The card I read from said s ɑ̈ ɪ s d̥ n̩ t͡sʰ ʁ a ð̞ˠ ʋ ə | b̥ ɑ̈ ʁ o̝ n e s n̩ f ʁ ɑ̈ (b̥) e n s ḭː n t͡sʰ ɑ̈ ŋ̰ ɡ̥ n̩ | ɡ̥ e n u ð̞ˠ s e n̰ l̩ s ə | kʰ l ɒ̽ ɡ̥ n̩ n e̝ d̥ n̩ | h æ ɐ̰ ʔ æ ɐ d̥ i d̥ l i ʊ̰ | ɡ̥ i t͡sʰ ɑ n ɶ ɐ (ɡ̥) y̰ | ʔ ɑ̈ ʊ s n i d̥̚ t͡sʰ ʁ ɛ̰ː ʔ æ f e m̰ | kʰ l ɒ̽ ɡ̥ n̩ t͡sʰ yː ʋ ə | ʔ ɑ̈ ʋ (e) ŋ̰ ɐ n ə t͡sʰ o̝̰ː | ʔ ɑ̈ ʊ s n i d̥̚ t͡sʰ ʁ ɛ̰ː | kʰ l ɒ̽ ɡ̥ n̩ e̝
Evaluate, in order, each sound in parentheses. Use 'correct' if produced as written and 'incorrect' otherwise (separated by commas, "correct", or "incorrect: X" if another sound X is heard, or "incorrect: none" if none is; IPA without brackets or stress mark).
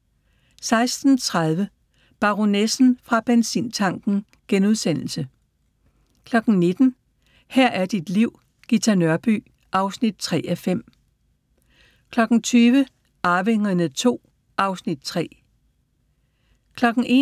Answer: correct, incorrect: b̥, correct